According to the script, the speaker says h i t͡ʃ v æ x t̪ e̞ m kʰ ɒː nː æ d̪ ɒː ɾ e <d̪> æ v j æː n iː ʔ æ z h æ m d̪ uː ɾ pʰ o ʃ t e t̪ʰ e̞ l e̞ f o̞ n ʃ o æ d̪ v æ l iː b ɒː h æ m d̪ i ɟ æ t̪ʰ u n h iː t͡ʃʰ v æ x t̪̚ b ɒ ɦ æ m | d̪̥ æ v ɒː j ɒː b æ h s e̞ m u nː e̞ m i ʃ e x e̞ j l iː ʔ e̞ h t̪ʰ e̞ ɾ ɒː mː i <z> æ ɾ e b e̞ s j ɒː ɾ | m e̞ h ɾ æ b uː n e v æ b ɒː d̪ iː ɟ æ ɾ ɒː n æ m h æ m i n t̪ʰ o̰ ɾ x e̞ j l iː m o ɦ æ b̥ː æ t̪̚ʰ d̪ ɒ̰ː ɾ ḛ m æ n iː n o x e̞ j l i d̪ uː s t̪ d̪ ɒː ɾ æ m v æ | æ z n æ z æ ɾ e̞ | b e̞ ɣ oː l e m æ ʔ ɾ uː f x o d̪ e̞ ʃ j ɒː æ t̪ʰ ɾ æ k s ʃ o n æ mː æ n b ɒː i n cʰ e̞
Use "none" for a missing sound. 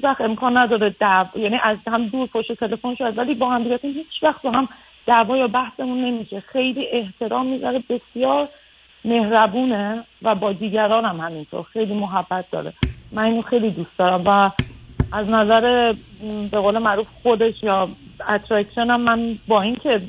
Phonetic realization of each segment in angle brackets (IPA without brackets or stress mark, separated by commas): d̪, z